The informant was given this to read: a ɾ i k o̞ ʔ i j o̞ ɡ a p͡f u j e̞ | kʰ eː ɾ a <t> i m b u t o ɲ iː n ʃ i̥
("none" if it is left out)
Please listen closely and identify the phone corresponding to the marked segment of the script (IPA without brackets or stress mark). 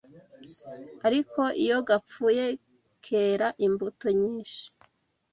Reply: ʔ